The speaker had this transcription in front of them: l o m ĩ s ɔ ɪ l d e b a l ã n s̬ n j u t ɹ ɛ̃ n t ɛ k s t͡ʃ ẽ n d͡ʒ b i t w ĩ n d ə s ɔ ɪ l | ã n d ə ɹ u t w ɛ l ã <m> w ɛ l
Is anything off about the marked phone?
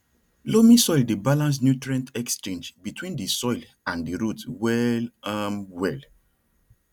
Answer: yes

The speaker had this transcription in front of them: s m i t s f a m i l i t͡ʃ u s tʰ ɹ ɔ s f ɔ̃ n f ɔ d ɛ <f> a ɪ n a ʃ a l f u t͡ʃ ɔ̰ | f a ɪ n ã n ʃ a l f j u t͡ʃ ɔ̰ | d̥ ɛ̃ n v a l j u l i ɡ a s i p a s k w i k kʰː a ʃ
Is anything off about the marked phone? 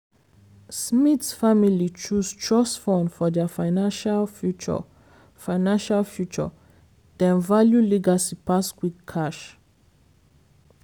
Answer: no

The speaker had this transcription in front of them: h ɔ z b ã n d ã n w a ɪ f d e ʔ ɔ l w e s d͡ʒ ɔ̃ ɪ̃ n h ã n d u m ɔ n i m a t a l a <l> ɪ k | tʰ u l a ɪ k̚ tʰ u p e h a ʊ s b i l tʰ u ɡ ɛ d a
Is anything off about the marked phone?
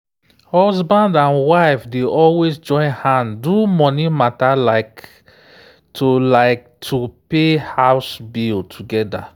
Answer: yes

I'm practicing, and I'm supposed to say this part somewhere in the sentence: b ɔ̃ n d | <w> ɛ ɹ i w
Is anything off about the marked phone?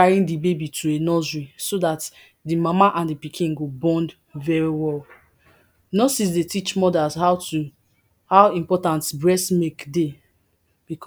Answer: yes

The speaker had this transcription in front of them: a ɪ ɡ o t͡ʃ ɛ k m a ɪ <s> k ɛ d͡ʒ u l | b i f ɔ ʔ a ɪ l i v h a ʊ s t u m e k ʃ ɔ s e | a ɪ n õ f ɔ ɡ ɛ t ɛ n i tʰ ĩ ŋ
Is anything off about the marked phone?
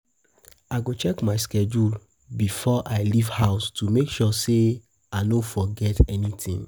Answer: no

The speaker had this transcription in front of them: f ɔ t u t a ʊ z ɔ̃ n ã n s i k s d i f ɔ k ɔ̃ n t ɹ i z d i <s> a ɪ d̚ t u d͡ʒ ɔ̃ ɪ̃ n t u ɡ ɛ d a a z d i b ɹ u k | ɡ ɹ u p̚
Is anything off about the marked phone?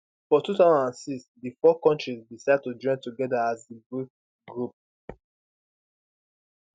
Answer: no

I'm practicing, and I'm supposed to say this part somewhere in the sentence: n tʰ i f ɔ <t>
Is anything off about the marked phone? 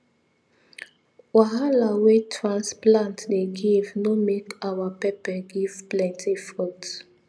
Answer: no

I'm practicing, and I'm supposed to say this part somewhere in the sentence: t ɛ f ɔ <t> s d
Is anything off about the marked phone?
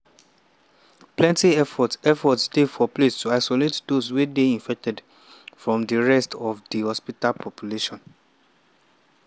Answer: no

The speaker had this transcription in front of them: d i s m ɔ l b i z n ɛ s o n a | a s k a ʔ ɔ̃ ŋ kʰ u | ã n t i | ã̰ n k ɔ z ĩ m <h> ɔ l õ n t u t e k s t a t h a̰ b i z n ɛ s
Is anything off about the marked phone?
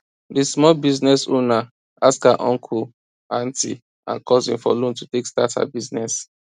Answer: yes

